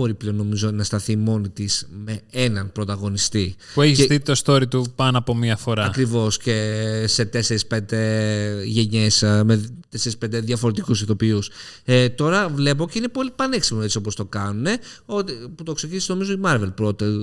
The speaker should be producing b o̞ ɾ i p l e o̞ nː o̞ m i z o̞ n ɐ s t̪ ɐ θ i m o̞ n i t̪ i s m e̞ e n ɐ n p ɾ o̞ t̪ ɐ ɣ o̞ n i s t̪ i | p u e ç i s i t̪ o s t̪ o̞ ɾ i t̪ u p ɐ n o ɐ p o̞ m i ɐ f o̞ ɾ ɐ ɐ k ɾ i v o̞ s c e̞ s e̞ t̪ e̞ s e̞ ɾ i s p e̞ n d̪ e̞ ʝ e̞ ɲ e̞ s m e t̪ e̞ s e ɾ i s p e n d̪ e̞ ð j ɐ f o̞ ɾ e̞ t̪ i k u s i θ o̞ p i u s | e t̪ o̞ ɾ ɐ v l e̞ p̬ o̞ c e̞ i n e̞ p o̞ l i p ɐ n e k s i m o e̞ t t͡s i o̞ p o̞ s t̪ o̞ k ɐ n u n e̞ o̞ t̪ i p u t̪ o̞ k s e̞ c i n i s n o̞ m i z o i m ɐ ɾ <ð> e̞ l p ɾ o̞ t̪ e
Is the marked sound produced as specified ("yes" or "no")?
no